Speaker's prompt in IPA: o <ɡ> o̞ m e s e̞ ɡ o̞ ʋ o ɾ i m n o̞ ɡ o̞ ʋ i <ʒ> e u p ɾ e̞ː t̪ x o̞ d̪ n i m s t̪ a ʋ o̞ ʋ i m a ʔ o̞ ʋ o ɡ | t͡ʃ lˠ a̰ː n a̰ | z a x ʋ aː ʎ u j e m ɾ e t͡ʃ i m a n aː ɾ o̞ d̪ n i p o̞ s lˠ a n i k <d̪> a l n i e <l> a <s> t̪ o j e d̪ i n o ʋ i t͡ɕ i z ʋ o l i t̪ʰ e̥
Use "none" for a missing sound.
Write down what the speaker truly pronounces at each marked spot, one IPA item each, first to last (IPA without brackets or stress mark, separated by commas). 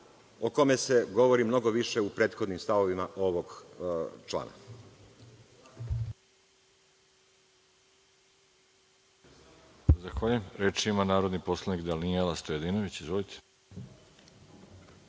k, ʃ, d̪, l, s